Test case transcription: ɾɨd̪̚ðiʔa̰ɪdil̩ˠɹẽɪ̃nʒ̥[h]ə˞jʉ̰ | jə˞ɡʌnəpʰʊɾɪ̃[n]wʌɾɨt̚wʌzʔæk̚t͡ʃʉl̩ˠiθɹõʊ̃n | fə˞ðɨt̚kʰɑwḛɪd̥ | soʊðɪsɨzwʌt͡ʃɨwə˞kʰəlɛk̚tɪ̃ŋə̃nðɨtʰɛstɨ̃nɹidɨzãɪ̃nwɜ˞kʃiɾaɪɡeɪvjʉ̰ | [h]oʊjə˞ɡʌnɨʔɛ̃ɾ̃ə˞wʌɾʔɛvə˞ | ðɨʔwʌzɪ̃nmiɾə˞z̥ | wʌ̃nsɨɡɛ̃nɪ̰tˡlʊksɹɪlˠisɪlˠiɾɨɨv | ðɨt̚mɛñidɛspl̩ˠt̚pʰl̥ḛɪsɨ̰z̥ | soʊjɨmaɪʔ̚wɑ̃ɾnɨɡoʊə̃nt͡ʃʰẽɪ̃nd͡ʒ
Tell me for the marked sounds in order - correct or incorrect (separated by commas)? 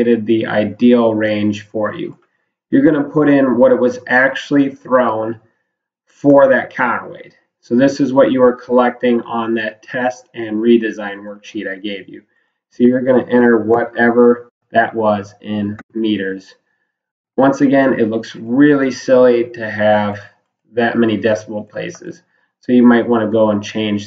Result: incorrect, correct, incorrect